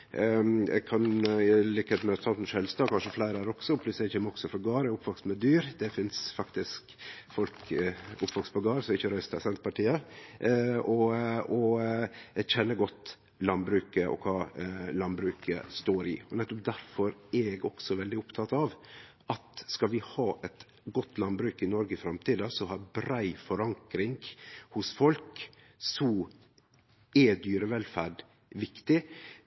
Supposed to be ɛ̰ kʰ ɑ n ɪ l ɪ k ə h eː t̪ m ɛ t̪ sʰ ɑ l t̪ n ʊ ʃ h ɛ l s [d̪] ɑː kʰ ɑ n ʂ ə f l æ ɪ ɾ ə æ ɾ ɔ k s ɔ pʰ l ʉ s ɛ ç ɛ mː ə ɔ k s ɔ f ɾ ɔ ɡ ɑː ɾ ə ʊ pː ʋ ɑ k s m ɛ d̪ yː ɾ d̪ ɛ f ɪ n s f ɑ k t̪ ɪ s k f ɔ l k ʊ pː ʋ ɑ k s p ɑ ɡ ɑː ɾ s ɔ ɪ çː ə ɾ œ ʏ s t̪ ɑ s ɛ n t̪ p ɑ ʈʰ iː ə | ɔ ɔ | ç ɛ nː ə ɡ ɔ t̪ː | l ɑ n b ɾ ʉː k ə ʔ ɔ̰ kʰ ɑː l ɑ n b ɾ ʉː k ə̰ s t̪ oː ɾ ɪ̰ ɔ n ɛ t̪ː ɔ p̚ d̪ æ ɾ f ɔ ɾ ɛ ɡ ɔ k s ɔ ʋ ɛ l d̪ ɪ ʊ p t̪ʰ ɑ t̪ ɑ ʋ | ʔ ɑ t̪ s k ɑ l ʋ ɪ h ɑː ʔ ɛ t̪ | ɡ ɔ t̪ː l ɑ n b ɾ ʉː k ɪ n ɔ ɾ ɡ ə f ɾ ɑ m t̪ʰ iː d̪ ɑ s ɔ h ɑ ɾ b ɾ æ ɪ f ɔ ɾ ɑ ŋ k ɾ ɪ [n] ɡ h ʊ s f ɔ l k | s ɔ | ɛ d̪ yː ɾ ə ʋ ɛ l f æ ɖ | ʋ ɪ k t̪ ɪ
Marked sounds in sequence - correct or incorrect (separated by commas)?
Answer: incorrect, incorrect